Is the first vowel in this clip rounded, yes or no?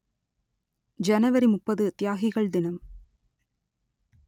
no